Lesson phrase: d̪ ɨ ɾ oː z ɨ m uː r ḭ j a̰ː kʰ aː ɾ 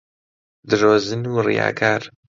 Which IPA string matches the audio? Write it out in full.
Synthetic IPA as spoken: d̪ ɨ ɾ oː z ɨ n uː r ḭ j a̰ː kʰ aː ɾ